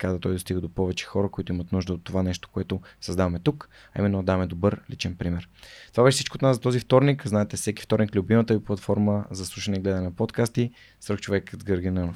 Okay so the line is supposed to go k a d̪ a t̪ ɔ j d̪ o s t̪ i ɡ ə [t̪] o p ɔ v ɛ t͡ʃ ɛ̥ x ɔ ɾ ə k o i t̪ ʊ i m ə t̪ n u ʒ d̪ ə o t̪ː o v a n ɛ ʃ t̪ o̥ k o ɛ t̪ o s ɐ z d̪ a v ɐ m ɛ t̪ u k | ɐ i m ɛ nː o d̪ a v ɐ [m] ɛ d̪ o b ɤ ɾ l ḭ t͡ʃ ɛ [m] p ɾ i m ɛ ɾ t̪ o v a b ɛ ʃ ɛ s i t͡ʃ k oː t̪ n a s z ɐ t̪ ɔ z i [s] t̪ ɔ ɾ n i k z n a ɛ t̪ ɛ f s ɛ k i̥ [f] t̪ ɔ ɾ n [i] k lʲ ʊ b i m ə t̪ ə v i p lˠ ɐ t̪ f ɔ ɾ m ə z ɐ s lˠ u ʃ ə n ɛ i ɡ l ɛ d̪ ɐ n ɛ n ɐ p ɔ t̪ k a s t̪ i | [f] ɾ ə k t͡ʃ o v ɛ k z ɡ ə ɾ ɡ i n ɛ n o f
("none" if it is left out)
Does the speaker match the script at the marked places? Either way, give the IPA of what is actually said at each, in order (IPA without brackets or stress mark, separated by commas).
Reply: d̪, m, n, f, f, i, s